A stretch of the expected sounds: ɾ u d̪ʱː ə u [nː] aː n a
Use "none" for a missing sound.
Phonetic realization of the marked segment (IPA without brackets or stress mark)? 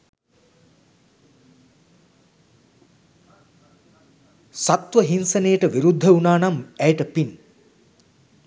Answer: n